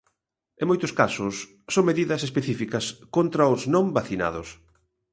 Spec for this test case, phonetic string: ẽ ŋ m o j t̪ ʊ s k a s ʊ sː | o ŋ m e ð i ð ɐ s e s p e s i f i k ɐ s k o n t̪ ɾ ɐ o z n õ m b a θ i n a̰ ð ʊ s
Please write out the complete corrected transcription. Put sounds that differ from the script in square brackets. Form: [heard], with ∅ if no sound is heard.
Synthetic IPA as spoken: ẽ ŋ m o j t̪ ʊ s k a s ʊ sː | o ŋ m e ð i ð ɐ s e s p e [θ] i f i k ɐ s k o n t̪ ɾ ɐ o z n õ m b a θ i n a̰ ð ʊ s